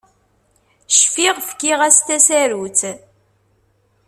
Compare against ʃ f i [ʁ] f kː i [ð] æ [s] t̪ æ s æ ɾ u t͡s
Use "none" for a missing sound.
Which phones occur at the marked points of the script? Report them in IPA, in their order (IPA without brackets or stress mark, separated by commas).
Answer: ʁ, ʁ, s